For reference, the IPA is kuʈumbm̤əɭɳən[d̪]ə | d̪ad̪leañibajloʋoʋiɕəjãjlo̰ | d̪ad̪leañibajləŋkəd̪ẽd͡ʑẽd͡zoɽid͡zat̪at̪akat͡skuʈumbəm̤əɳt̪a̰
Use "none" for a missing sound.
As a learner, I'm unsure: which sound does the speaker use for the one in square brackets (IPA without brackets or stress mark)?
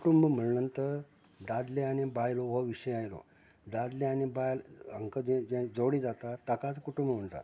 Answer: t̪